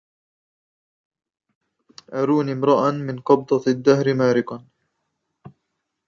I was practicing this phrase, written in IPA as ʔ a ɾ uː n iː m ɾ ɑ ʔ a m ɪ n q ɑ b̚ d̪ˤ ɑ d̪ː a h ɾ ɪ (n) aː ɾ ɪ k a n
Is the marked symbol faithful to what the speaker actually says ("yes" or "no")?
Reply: no